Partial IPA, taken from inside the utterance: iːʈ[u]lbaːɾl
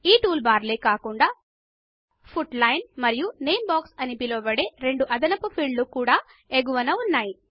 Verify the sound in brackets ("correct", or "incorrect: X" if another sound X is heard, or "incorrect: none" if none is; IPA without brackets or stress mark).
incorrect: uː